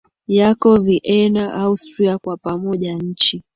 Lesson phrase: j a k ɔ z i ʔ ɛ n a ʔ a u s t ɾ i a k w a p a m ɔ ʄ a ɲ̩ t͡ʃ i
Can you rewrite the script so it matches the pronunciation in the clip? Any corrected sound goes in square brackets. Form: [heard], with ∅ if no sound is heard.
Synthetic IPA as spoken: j a k ɔ [v] i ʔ ɛ n a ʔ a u s t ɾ i a k w a p a m ɔ ʄ a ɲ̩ t͡ʃ i